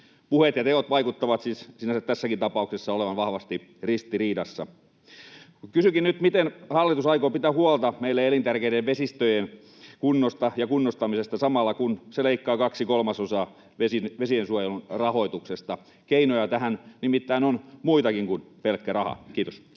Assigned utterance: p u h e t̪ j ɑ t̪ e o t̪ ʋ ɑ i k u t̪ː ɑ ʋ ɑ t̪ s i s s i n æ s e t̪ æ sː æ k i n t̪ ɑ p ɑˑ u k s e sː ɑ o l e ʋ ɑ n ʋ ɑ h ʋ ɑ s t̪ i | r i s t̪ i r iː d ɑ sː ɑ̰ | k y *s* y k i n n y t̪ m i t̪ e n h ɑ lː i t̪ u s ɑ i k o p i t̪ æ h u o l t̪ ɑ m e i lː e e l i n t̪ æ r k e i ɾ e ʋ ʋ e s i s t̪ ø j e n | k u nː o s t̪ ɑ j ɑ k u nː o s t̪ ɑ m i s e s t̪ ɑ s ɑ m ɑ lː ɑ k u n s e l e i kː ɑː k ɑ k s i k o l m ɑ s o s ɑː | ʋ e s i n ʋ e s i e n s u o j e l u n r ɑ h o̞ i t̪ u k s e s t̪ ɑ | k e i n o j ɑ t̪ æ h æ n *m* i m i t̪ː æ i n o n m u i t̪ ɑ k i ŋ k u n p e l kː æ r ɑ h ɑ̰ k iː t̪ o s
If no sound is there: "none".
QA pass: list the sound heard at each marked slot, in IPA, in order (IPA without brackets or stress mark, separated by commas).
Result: s, n